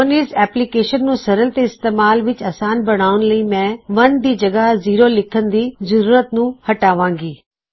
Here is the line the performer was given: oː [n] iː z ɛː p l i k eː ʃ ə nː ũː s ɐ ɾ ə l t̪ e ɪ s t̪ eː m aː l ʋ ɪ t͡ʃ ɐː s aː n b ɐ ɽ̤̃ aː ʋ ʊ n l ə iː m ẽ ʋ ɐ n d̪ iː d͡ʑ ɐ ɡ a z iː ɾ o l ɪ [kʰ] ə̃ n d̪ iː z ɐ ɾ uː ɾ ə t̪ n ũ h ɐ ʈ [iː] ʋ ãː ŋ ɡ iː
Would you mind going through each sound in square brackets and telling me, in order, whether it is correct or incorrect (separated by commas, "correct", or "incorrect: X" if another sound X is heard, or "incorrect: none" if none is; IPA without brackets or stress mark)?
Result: correct, correct, incorrect: aː